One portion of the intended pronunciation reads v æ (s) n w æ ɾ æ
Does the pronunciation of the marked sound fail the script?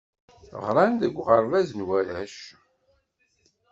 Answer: yes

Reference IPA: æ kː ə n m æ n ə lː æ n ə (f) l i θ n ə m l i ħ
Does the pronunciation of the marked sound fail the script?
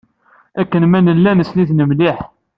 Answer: yes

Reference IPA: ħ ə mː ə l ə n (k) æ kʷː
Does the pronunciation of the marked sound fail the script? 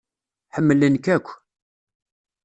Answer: no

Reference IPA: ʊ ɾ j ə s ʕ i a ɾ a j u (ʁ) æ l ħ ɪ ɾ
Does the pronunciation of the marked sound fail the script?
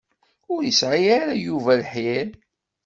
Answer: yes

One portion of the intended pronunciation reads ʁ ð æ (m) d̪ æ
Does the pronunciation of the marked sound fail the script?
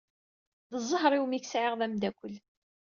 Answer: no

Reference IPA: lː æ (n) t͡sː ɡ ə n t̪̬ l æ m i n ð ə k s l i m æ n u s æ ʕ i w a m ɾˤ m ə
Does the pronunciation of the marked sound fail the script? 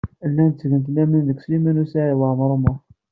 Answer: no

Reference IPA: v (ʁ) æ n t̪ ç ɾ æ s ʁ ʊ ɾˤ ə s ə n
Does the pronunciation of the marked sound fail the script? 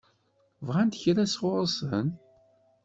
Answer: no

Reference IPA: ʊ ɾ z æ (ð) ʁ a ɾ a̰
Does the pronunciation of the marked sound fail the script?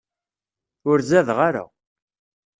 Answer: no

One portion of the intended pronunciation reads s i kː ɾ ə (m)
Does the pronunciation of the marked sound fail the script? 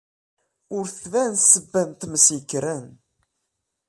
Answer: yes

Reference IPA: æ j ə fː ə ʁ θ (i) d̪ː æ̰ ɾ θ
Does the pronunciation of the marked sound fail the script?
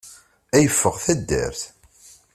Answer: yes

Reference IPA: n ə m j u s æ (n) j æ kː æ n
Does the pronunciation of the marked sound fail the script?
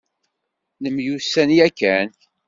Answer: no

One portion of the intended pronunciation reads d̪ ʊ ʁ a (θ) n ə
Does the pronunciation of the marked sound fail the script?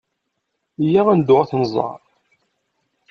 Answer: no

